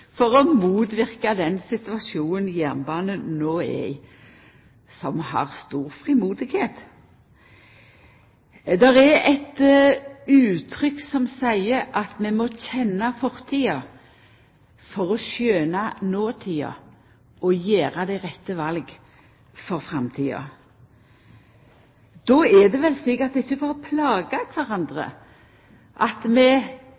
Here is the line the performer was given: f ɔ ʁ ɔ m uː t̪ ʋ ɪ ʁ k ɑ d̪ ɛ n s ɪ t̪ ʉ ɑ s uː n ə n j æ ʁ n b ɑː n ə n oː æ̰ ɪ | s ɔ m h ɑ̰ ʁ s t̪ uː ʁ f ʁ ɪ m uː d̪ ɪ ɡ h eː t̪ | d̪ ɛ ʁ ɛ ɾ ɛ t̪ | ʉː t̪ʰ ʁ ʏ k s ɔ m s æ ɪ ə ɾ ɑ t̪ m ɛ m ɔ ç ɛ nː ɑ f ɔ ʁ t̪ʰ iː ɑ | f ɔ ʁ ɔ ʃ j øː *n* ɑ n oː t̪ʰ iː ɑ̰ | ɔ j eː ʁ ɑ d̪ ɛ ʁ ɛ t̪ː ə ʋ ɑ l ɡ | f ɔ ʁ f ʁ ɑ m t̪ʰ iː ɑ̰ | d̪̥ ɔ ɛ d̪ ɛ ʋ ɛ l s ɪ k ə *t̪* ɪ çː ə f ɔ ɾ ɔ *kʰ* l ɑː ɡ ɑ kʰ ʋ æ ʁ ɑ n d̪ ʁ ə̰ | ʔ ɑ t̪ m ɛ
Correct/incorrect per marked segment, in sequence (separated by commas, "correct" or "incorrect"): correct, correct, incorrect